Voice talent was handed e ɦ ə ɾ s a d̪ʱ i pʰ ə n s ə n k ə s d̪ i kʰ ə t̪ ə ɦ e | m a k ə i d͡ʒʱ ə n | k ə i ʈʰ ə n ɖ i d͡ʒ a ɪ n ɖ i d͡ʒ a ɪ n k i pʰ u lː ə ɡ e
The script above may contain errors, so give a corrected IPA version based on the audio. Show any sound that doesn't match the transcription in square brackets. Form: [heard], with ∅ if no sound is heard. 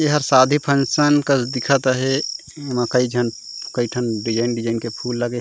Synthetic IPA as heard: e ɦ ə ɾ s a d̪ʱ i pʰ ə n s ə n k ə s d̪ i kʰ ə t̪ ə ɦ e | m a k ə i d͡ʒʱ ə n | k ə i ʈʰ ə n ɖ i d͡ʒ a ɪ n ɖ i d͡ʒ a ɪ n k [e] pʰ u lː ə ɡ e